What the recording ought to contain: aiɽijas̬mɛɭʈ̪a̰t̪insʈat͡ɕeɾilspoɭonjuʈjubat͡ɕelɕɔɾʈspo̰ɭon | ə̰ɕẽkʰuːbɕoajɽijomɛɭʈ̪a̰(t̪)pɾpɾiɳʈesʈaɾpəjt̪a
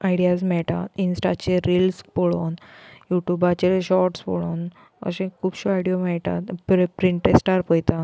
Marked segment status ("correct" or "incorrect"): correct